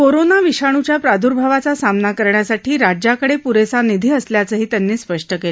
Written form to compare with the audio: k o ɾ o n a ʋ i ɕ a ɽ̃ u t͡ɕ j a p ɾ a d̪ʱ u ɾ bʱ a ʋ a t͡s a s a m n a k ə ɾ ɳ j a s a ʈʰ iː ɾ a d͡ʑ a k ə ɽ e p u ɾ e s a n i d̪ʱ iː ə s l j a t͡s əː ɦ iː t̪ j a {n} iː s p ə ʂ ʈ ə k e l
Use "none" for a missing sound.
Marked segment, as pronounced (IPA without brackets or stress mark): nː